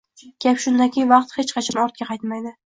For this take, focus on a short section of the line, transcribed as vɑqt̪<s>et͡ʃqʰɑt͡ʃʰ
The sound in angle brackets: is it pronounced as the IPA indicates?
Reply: no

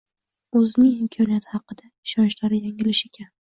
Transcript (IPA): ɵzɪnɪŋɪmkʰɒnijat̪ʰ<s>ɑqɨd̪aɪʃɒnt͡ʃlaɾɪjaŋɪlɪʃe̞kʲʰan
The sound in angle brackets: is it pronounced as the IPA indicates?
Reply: no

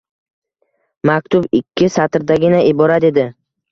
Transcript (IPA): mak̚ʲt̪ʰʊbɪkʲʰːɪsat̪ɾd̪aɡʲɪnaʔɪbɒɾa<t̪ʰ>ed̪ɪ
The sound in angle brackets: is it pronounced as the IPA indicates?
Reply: no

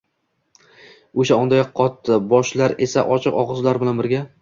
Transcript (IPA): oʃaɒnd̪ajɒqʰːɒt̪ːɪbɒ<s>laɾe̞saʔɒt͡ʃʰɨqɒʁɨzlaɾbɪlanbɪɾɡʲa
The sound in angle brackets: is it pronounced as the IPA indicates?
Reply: no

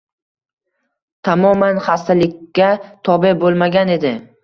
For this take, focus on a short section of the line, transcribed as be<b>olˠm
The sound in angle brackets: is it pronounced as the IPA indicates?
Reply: yes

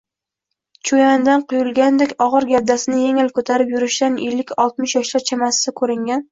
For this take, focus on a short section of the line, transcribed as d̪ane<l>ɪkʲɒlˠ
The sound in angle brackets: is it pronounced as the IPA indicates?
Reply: no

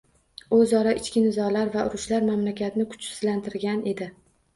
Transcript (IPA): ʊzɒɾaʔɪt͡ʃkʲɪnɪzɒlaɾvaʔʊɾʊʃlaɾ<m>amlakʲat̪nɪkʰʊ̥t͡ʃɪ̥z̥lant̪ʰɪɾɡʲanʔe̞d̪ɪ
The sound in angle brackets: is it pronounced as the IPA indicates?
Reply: yes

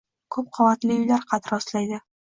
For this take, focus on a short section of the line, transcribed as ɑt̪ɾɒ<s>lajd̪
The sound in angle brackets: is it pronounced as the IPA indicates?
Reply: yes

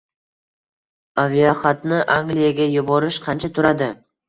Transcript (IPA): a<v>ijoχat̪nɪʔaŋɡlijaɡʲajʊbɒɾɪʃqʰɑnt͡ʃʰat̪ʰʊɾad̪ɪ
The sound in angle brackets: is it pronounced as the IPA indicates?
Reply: yes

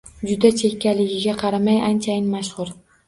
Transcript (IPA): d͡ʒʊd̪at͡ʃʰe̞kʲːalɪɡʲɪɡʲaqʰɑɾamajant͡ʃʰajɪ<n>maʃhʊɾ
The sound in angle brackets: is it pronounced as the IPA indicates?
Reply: yes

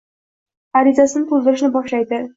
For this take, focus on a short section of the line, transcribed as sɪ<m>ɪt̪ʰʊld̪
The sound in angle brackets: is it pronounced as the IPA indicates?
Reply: no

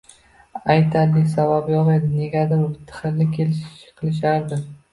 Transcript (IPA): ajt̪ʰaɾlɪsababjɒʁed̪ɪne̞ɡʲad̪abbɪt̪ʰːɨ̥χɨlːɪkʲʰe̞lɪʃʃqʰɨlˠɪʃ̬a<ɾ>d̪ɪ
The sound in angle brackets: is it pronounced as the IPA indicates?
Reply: yes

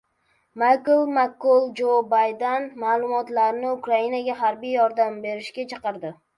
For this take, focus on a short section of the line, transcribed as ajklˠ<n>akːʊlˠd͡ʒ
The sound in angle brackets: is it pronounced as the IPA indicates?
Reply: no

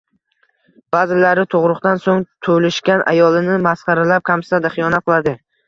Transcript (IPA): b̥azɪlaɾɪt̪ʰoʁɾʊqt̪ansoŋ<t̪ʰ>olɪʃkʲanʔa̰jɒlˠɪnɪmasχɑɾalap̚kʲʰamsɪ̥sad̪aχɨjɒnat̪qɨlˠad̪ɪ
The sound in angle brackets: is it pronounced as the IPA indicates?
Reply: yes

